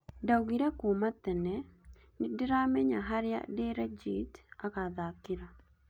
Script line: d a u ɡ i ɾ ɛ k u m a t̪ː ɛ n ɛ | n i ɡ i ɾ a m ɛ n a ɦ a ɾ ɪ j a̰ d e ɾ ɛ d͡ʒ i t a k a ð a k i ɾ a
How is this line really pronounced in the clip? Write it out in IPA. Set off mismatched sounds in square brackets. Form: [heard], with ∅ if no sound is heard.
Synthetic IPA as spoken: d a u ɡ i ɾ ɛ k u m a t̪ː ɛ n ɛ | n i [d] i ɾ a m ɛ [ɲ] a ɦ a ɾ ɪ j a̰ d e ɾ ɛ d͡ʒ i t a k a ð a k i ɾ a